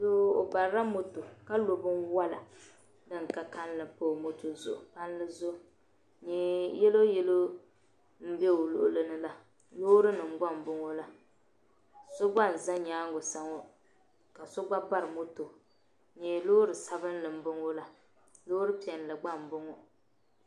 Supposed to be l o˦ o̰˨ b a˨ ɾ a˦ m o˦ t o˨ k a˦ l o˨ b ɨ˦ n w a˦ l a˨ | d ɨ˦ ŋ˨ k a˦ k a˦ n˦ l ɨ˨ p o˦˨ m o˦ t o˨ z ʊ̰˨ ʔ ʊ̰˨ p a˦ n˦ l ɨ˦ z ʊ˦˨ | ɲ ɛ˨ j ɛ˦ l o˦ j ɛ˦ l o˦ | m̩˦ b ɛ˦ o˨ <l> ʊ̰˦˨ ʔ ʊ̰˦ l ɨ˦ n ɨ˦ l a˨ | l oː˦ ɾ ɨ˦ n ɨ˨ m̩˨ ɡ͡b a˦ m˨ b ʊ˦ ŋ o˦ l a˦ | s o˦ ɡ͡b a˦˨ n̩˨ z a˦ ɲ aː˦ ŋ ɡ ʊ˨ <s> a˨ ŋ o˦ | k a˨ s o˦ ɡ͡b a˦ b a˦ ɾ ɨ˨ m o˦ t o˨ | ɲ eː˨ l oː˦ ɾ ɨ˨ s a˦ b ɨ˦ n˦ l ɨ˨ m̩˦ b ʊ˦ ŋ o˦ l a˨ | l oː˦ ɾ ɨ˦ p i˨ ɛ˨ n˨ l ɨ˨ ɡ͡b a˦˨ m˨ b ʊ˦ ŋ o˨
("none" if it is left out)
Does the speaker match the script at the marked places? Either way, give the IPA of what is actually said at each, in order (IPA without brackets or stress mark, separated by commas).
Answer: l, s